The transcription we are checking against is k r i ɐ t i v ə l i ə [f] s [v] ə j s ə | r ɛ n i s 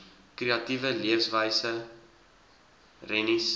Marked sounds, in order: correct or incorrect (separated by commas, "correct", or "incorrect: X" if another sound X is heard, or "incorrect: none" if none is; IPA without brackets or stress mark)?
correct, correct